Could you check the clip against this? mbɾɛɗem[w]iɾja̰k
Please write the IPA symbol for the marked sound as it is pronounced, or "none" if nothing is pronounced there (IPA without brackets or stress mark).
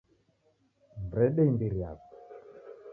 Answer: b